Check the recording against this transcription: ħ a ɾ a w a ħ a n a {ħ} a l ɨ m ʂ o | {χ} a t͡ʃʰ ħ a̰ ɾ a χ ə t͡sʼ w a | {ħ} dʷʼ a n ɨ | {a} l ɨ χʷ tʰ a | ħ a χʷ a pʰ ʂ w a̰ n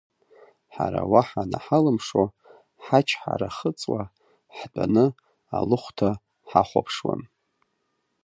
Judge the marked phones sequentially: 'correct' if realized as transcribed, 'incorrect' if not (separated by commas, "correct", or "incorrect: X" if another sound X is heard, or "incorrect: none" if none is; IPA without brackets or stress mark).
correct, incorrect: ħ, correct, correct